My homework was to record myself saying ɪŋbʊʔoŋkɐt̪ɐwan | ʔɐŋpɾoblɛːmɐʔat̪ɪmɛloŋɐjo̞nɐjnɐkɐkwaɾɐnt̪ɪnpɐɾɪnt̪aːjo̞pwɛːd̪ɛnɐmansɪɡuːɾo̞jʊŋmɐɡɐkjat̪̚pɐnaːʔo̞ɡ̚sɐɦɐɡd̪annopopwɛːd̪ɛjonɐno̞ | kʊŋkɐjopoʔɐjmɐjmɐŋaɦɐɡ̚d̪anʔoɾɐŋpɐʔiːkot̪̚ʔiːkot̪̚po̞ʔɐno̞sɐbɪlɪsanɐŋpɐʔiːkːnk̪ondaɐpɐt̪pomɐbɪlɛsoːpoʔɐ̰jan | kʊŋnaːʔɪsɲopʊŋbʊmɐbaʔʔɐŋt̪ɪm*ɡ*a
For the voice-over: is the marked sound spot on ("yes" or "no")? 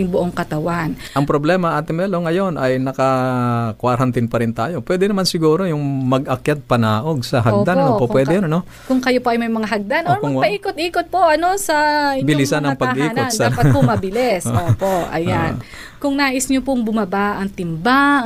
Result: no